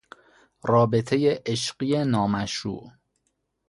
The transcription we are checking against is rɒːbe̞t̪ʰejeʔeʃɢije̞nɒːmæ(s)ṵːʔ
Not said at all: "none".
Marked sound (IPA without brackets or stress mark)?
ʃ